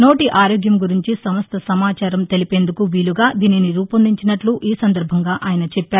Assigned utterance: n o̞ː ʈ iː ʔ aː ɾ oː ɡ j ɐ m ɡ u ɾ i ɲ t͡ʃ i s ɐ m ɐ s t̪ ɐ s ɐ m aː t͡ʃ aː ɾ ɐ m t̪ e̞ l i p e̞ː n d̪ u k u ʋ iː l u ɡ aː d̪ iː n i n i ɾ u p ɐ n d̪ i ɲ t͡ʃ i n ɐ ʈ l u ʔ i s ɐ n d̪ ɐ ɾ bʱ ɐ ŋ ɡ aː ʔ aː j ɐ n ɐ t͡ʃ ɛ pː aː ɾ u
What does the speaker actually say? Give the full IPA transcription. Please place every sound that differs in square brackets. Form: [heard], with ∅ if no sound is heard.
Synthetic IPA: n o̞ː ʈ [i] ʔ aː ɾ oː ɡ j ɐ m ɡ u ɾ i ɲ t͡ʃ i s ɐ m ɐ s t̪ ɐ s ɐ m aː t͡ʃ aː ɾ ɐ m t̪ e̞ l i p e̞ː n d̪ u k u ʋ iː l u ɡ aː d̪ iː n i n i ɾ [uː] p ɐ n d̪ i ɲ t͡ʃ i n ɐ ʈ l u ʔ [iː] s ɐ n d̪ ɐ ɾ bʱ ɐ ŋ ɡ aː ʔ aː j ɐ n ɐ t͡ʃ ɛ pː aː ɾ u